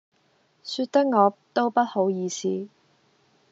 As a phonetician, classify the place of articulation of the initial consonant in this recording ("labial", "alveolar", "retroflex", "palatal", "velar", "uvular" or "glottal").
alveolar